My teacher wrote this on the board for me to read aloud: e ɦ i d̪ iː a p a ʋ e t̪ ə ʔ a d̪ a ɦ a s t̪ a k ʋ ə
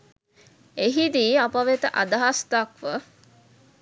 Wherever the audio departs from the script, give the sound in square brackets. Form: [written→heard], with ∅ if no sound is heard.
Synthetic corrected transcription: e ɦ i d̪ iː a p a ʋ e t̪ ə ʔ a d̪ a ɦ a s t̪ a k ʋ ə

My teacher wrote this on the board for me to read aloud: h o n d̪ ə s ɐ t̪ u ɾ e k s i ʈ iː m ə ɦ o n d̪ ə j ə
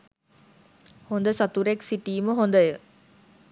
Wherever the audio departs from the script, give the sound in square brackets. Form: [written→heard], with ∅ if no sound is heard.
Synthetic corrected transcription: h o n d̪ ə s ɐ t̪ u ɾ e k s i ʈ iː m ə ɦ o n d̪ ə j ə

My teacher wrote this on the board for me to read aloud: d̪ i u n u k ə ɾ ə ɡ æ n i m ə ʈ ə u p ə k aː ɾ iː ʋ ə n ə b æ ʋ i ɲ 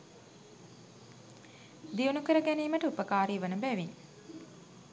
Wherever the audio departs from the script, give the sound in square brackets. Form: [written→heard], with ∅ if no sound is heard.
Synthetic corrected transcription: d̪ i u n u k ə ɾ ə ɡ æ n [i→iː] m ə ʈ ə u p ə k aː ɾ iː ʋ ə n ə b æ ʋ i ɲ

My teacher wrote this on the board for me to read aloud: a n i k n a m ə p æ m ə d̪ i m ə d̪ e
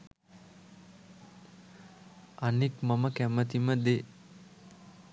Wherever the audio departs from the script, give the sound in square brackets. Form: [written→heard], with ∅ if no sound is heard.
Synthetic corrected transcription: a n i k [n→m] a m ə [p→k] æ m ə [d̪→t̪] i m ə d̪ e

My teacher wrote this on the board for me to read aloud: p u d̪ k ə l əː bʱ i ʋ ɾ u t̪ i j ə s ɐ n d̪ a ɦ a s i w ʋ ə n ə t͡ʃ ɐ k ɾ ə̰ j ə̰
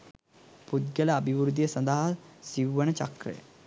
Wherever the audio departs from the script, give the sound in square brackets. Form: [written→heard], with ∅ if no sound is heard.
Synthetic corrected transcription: p u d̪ [k→ɡ] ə l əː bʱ i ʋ ɾ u [t̪→d̪] i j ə s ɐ n d̪ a ɦ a s i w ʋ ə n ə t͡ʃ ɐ k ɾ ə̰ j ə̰

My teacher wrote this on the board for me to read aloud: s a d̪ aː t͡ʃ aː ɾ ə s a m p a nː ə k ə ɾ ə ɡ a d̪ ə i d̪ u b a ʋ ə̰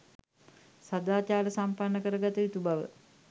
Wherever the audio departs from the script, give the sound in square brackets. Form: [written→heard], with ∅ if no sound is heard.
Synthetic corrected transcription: s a d̪ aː t͡ʃ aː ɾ ə s a m p a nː ə k ə ɾ ə ɡ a [d̪→t̪] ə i [d̪→t̪] u b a ʋ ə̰

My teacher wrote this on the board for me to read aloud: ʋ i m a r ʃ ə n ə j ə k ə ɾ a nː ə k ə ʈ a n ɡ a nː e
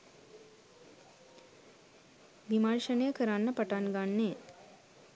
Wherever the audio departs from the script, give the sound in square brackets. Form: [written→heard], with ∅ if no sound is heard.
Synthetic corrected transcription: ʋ i m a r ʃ ə n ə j ə k ə ɾ a nː ə [k→p] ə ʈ a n ɡ a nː e

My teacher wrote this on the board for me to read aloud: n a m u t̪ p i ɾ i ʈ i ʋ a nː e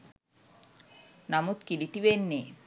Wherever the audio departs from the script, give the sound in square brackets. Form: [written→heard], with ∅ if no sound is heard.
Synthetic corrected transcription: n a m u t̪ [p→k] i [ɾ→l] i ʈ i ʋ [a→e] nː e

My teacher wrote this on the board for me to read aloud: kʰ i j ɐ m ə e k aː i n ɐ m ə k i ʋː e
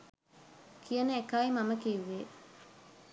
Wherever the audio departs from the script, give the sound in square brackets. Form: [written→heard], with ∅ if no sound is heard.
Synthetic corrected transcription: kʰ i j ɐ [m→n] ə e k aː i [n→m] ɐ m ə k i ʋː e

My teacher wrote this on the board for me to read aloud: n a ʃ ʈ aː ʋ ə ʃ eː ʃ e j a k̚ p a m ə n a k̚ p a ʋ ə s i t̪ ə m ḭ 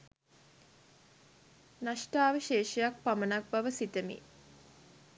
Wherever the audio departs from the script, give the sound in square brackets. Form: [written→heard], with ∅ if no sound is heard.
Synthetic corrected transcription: n a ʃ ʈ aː ʋ ə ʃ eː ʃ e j a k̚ p a m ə n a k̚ [p→b] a ʋ ə s i t̪ ə m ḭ

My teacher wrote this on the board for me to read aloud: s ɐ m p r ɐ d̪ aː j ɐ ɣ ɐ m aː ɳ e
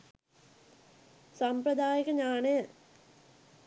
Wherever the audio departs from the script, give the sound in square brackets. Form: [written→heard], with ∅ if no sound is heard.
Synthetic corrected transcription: s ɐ m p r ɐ d̪ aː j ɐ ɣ ɐ [m→ɲ] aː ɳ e

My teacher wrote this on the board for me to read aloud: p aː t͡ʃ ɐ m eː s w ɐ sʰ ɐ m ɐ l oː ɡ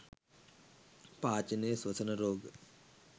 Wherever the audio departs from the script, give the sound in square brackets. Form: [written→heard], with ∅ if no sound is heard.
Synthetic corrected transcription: p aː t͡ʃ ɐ [m→n] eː s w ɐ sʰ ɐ [m→n] ɐ [l→ɾ] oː ɡ

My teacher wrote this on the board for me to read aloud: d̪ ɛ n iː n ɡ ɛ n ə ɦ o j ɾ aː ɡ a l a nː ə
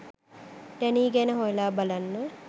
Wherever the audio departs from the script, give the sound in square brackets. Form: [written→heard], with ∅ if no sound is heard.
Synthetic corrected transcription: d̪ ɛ n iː [n→∅] ɡ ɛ n ə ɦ o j [ɾ→l] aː [ɡ→b] a l a nː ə

